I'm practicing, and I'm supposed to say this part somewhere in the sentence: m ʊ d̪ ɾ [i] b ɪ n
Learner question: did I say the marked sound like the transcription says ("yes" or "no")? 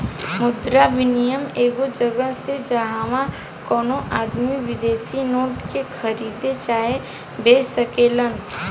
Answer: no